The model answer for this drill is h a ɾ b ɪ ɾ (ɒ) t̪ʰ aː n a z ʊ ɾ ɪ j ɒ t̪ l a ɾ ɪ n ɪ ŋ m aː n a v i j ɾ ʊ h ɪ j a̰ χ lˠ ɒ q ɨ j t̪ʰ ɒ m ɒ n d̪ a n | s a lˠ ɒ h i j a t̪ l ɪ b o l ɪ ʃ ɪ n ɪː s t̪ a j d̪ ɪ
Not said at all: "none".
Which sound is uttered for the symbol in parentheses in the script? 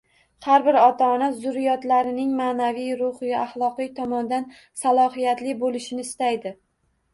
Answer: ɒ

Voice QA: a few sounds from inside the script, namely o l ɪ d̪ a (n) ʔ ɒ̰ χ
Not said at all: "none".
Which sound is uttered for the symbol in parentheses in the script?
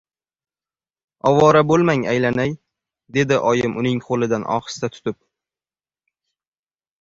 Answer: n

